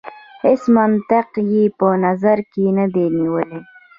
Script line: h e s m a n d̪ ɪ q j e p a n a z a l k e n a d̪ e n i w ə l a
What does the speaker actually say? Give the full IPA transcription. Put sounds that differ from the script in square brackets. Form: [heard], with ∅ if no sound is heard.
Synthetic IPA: h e s m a n [t̪] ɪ q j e p [ə] n a z a [ɾ] k e n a d̪ e n i w ə l [e]